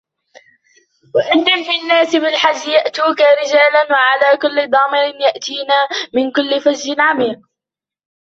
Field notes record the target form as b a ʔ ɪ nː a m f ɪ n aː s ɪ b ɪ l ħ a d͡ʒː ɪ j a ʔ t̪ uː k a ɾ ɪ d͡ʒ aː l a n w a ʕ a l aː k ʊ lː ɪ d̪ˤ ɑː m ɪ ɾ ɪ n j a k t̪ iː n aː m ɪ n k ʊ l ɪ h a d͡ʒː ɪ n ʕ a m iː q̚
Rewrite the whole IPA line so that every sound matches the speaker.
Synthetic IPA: w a ʔ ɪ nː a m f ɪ nː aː s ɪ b ɪ l ħ a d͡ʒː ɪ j a ʔ t̪ uː k a ɾ ɪ d͡ʒ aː l a n w a ʕ a l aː k ʊ lː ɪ d̪ˤ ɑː m ɪ ɾ ɪ n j a ʔ t̪ iː n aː m ɪ n k ʊ lː ɪ f a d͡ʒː ɪ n ʕ a m iː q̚